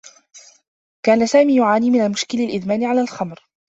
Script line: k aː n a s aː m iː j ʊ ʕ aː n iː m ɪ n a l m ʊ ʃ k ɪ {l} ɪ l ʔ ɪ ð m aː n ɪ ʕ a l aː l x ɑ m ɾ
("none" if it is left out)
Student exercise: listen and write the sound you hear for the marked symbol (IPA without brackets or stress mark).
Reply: l